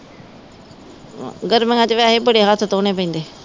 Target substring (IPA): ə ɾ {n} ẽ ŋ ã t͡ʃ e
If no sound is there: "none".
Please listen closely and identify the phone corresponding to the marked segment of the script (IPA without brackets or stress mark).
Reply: m